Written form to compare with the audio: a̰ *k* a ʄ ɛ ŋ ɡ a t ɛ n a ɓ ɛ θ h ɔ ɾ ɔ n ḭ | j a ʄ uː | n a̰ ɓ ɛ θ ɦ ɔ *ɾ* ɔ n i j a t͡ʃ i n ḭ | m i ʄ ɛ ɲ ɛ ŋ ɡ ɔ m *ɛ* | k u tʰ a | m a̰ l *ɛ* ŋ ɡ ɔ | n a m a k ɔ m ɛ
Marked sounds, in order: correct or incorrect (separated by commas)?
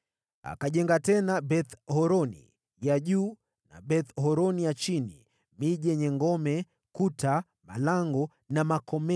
correct, correct, correct, incorrect